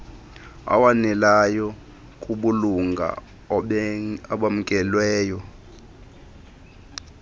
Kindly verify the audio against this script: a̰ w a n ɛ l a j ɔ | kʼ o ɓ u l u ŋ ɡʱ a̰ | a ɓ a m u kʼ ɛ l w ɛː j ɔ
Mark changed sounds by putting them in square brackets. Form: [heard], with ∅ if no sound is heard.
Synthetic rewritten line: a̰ w a n ɛ l a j ɔ | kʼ [u] ɓ u l u ŋ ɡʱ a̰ | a ɓ a m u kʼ ɛ l w ɛː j ɔ

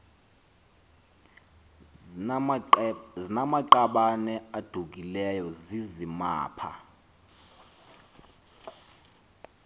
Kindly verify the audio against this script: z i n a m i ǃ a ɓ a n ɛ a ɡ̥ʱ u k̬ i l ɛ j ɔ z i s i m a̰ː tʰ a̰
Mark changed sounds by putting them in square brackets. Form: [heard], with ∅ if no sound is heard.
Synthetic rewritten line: z i n a m [a] ǃ a ɓ a n ɛ a [d̥ʱ] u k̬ i l ɛ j ɔ z i [z] i m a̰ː [pʰ] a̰

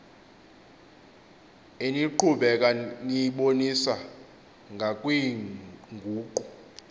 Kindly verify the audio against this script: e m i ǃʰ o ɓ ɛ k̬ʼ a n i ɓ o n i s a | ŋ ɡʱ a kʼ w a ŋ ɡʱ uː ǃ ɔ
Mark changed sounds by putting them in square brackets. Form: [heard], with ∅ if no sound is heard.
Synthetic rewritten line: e [n] i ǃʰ [u] ɓ ɛ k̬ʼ a n i ɓ o n i s a | ŋ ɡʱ a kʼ w [i] ŋ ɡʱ uː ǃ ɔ

